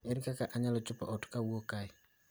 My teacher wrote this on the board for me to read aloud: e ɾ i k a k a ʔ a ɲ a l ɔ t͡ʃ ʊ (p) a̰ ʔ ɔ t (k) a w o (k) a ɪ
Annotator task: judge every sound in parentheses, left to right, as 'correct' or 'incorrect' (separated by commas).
correct, correct, correct